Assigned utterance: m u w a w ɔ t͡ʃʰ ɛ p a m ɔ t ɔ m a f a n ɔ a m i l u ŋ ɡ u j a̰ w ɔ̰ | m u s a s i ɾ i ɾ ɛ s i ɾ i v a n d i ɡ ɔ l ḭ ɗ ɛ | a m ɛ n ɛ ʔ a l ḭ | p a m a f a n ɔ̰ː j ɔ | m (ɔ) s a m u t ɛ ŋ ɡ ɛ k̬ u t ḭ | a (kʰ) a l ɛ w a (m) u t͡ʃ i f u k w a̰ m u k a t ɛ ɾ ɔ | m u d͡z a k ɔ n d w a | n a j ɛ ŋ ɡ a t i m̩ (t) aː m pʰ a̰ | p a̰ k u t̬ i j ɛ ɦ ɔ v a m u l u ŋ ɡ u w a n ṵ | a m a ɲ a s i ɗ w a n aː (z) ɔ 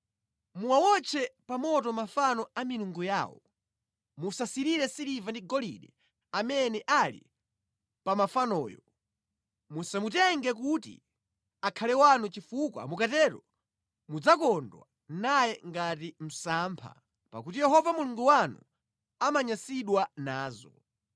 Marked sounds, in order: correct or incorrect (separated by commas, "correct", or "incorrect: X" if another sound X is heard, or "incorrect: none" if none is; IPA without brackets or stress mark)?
incorrect: u, correct, incorrect: n, incorrect: s, correct